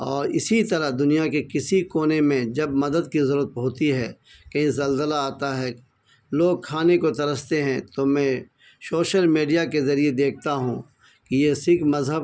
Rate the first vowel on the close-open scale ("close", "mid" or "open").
mid